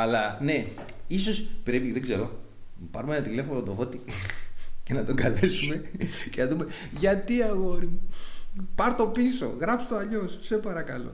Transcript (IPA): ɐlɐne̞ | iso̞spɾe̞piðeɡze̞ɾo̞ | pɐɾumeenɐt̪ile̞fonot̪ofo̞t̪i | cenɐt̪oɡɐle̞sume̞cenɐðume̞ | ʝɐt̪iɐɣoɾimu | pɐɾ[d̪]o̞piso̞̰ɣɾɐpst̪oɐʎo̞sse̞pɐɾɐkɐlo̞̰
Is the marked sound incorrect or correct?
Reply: incorrect